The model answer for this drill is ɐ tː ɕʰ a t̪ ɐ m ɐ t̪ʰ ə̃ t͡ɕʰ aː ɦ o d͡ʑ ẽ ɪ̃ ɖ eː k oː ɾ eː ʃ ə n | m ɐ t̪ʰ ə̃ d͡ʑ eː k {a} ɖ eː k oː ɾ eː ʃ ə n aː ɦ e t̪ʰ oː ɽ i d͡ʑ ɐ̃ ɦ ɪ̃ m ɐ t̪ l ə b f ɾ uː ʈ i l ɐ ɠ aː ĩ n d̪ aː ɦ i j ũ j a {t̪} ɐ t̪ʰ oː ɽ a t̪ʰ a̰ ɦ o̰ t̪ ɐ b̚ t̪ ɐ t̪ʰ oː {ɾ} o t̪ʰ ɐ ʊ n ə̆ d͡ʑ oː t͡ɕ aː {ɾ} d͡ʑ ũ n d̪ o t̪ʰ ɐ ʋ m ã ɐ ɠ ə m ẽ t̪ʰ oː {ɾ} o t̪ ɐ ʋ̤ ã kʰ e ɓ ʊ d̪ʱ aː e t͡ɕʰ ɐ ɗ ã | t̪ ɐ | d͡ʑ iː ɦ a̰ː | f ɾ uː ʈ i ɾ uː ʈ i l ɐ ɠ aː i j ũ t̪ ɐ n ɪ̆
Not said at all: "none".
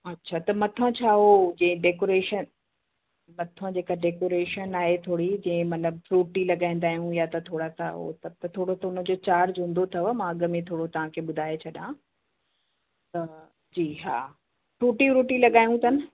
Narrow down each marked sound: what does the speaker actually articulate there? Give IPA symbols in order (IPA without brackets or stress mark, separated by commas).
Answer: a, t̪, ɽ, ɾ, ɽ